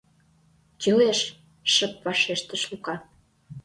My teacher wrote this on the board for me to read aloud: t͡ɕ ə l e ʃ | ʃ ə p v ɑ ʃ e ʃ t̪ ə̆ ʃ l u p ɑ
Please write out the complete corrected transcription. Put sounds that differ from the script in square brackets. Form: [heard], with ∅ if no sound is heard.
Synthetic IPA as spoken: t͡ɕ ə l e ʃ | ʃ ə p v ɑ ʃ e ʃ t̪ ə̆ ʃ l u [k] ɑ